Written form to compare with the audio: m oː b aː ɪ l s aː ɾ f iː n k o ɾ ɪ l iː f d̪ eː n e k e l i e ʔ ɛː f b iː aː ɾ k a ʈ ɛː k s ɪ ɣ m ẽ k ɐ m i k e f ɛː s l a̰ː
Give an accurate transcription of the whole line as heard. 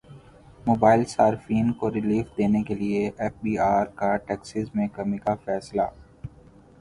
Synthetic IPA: m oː b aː ɪ l s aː ɾ f iː n k o ɾ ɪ l iː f d̪ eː n e k e l i e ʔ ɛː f b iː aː ɾ k a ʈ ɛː k s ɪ z m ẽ k ɐ m i k a f ɛː s l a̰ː